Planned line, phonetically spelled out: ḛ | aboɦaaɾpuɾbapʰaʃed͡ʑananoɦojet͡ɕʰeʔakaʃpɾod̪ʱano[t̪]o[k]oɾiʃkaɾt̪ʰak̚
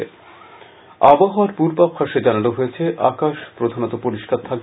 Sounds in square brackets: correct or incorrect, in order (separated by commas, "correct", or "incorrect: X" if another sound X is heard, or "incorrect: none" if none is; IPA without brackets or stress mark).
correct, incorrect: p